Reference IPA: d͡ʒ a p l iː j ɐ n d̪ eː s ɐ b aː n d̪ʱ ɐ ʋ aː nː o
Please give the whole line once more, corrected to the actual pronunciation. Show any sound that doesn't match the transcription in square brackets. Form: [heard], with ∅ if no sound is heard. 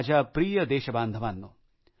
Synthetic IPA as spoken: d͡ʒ a p [ɾ] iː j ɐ [∅] d̪ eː [ʃ] ɐ b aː n d̪ʱ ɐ ʋ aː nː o